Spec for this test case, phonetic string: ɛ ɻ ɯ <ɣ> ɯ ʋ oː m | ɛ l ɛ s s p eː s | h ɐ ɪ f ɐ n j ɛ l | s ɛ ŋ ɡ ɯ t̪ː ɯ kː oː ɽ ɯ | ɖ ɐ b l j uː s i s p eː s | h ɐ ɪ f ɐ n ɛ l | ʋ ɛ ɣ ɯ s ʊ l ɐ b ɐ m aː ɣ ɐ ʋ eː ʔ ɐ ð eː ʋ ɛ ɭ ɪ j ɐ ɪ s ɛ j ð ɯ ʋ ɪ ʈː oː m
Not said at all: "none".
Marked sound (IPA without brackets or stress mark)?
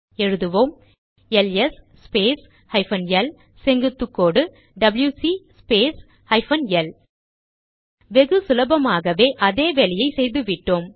ð